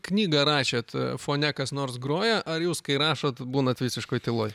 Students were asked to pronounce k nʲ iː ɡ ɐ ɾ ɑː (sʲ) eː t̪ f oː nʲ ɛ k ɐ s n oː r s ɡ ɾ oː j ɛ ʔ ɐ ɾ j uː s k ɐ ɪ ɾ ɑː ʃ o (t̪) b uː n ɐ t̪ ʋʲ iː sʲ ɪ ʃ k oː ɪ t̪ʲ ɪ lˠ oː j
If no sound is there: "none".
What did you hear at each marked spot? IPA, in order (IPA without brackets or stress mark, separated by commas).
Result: ʃʲ, t̪